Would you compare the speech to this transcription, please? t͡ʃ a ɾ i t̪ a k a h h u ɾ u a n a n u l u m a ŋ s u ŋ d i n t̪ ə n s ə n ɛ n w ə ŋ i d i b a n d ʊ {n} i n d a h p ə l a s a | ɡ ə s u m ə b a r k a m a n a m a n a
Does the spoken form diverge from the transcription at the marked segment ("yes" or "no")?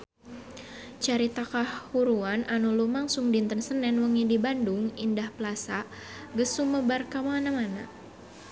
yes